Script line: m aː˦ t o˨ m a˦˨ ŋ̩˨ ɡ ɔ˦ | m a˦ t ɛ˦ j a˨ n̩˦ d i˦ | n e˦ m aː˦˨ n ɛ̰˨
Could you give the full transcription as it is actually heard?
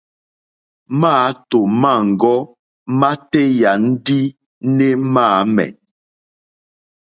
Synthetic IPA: m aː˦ t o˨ m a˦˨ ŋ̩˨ ɡ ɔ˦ | m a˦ t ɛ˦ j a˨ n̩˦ d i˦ | n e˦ m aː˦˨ m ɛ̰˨

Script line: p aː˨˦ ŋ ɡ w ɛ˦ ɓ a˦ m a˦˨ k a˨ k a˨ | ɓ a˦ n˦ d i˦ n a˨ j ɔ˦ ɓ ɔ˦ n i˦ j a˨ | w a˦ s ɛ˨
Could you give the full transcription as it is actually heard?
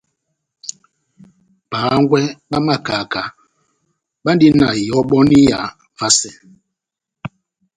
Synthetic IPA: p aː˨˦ ŋ ɡ w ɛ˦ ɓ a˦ m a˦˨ k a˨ k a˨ | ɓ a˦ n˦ d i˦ n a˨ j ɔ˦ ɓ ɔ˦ n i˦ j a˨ | v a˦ s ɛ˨

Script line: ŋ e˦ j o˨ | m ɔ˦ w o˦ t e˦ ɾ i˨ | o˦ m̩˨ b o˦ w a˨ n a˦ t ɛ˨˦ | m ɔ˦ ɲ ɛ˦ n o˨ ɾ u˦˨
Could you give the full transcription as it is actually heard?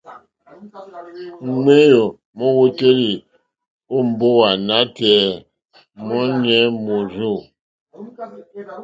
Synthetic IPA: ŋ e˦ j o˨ | m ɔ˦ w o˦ t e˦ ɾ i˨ | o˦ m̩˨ b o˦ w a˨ n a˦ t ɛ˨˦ | m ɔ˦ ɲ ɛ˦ m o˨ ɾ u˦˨

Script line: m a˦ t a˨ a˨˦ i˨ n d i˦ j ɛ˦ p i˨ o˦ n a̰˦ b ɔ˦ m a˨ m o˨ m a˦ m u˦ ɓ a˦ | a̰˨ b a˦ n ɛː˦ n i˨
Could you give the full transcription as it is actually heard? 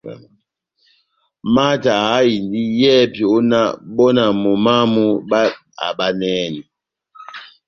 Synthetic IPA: m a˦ t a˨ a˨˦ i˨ n d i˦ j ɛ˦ p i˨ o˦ n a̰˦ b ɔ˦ n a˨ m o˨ m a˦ m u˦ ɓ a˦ | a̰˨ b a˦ n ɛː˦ n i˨

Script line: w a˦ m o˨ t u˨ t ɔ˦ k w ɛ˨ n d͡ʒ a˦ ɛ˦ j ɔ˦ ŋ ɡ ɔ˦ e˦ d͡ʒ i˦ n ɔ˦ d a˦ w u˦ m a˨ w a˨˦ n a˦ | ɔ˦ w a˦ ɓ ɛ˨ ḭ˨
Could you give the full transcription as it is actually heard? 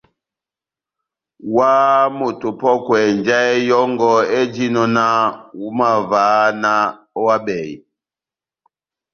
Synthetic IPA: w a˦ m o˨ t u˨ p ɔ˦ k w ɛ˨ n d͡ʒ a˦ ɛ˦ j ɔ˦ ŋ ɡ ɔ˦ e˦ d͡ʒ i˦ n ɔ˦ n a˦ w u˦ m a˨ v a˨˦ n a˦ | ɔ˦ w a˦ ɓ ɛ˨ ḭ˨

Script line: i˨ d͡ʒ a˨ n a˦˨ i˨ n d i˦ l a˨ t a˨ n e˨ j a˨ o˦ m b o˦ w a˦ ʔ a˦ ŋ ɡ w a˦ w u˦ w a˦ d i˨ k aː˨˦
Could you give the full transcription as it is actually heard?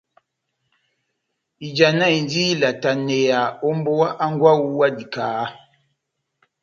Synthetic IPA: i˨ d͡ʒ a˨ n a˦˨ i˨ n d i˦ l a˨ t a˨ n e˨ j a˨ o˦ m b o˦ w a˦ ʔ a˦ ŋ ɡ w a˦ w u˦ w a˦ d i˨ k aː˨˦

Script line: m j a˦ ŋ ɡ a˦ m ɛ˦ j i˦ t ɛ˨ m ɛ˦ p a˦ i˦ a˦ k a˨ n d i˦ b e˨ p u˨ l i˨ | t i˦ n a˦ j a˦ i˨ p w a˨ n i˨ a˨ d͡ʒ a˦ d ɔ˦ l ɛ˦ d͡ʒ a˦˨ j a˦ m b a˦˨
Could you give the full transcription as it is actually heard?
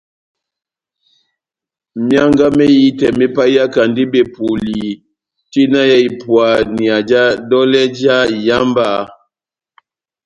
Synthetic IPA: m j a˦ ŋ ɡ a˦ m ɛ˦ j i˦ t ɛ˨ m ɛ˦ p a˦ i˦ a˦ k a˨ n d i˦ b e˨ p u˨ l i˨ | t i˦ n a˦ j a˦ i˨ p w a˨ n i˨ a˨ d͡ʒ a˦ d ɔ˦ l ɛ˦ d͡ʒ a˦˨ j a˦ m b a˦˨

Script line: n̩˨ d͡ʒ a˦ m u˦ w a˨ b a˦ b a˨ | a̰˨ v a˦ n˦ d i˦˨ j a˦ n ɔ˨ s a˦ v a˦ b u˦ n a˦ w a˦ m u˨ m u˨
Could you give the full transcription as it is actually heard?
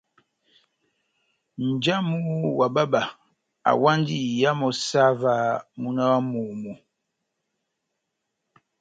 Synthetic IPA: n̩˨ d͡ʒ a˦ m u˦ w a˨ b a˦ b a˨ | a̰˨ w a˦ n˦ d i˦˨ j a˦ m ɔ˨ s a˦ v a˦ m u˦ n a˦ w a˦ m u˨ m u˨

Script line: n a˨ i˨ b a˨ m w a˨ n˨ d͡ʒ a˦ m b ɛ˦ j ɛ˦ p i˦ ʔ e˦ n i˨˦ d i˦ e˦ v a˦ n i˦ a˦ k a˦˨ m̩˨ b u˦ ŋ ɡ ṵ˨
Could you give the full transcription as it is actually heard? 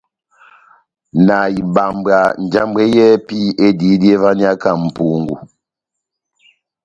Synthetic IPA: n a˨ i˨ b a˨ m b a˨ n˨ d͡ʒ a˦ m b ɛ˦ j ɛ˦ p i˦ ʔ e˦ d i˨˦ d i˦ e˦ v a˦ n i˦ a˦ k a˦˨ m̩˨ p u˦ ŋ ɡ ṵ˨

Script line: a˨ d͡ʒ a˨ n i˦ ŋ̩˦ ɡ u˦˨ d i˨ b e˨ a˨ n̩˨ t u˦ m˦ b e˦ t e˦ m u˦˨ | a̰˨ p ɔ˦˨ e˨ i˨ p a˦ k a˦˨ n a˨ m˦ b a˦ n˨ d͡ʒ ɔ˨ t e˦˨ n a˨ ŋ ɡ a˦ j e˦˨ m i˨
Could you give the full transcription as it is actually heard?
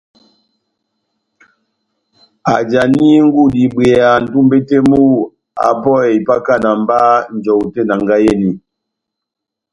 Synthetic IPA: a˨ d͡ʒ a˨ n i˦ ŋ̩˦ ɡ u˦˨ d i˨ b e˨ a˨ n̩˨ t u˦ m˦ b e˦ t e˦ m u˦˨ | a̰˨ p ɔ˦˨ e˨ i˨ p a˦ k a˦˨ n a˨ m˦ b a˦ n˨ d͡ʒ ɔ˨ t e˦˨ n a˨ ŋ ɡ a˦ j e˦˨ n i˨

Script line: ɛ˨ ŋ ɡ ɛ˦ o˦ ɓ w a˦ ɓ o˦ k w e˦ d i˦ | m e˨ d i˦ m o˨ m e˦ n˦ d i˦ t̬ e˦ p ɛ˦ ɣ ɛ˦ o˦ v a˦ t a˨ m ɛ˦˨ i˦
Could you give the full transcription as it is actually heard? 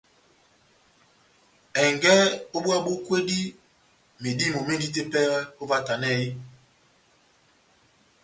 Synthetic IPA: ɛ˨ ŋ ɡ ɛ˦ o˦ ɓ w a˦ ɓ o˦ k w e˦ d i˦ | m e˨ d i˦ m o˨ m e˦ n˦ d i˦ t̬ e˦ p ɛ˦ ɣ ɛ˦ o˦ v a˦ t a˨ n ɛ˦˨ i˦

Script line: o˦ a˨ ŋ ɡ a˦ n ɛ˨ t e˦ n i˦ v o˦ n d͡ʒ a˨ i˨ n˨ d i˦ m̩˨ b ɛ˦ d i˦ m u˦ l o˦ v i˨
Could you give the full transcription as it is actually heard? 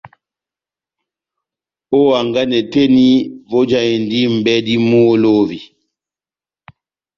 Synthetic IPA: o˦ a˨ ŋ ɡ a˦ n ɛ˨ t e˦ n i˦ v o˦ d͡ʒ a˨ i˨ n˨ d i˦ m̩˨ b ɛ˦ d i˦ m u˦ l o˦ v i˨

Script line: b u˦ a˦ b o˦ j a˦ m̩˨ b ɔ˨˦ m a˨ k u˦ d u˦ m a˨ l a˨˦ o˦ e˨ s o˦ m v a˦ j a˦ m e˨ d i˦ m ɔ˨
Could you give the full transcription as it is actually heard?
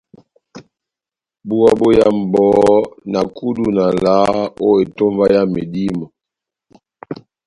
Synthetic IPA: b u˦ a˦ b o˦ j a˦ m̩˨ b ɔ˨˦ n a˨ k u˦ d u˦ n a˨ l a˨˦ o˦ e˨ t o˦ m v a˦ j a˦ m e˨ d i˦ m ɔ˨

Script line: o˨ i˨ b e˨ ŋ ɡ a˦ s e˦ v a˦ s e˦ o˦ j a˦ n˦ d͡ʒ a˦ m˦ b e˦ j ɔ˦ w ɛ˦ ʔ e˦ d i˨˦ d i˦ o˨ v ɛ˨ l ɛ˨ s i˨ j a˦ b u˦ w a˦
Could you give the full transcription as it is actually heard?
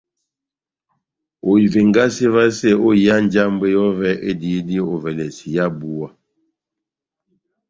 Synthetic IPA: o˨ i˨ v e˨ ŋ ɡ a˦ s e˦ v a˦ s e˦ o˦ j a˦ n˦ d͡ʒ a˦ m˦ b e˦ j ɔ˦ v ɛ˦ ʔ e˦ d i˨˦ d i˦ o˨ v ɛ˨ l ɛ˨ s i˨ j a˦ b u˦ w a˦

